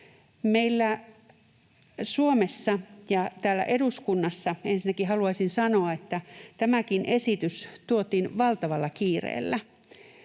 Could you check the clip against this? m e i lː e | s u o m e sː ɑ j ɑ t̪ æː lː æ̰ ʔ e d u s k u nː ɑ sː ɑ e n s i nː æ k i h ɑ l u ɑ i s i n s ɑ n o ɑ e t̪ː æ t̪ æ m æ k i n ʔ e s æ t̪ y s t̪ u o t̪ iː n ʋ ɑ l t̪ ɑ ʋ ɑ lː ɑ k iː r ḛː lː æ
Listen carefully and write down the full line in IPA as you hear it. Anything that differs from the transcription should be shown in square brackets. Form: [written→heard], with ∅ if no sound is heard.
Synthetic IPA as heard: m e i lː [e→æ] | s u o m e sː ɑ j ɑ t̪ æː lː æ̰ ʔ e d u s k u nː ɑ sː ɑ e n s i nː æ k i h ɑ l u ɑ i s i n s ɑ n o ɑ e t̪ː æ t̪ æ m æ k i n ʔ e s [æ→i] t̪ y s t̪ u o t̪ iː n ʋ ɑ l t̪ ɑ ʋ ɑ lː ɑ k iː r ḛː lː æ